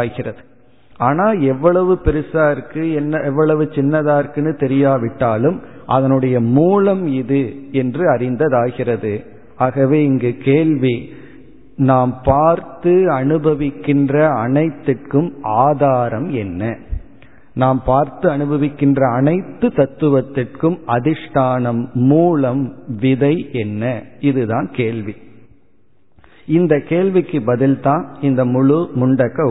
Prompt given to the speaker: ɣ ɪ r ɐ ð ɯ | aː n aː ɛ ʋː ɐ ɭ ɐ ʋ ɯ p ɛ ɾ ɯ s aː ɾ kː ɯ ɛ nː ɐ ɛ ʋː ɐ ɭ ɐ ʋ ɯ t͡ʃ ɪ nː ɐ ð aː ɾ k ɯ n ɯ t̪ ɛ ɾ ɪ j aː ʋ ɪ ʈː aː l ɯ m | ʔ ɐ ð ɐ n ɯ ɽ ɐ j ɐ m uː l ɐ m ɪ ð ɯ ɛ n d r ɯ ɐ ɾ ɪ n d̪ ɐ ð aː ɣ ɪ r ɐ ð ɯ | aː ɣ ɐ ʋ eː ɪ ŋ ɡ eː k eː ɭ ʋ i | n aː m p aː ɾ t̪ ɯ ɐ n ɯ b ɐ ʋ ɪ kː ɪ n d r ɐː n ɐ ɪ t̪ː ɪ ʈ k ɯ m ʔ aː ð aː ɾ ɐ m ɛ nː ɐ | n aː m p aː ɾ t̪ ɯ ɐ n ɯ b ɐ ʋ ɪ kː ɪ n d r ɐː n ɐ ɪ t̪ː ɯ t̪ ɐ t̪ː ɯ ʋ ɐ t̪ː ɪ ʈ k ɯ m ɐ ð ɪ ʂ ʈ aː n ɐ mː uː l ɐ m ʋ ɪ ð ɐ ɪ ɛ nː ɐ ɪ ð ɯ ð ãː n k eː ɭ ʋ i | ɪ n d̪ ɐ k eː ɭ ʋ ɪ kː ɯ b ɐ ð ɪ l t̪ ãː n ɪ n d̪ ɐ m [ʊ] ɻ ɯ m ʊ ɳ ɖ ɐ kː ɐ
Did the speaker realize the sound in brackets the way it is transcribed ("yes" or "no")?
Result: yes